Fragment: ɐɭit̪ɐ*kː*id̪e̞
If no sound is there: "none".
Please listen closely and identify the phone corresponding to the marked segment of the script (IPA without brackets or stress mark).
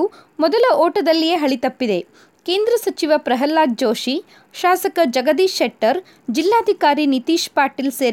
pː